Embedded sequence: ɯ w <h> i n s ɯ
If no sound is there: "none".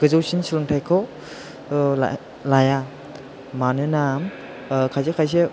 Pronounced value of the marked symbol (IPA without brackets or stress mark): s